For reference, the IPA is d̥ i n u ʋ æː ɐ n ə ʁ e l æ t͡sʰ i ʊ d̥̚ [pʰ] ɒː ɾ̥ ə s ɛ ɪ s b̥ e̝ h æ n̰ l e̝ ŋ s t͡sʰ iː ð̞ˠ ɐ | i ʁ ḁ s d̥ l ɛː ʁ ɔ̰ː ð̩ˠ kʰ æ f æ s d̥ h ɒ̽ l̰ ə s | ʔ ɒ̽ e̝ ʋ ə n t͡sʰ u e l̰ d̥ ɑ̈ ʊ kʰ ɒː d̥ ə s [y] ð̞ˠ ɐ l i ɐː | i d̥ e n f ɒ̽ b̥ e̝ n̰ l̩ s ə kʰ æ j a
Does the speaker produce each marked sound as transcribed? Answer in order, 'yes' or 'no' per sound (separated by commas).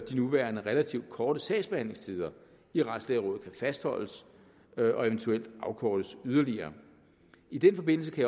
no, yes